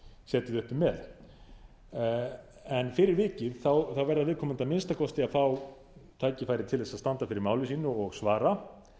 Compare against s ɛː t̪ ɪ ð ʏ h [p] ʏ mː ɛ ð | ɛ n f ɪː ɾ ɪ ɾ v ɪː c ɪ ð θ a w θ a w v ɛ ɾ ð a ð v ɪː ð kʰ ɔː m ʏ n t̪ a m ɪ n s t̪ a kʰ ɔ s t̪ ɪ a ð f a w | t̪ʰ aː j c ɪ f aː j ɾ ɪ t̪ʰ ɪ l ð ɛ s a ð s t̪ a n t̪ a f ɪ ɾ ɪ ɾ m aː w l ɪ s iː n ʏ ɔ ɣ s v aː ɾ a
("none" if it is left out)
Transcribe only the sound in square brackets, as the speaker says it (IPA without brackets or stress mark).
p